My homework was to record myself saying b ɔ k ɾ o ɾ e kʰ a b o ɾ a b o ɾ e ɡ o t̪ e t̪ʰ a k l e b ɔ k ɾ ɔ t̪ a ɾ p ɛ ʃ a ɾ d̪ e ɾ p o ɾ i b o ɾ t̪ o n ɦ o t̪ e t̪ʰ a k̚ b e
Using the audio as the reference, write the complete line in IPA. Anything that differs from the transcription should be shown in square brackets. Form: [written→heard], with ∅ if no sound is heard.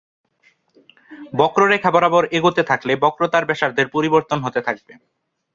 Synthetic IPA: b ɔ k ɾ o ɾ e kʰ a b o ɾ a b o ɾ e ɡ o t̪ e t̪ʰ a k l e b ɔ k ɾ [ɔ→o] t̪ a ɾ [p→b] ɛ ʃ a ɾ d̪ e ɾ p o ɾ i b o ɾ t̪ o n ɦ o t̪ e t̪ʰ a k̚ b e